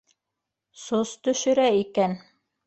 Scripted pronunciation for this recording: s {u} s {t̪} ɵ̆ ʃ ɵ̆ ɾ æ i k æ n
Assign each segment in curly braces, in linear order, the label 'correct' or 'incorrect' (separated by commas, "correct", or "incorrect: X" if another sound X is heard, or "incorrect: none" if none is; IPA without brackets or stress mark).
incorrect: o, correct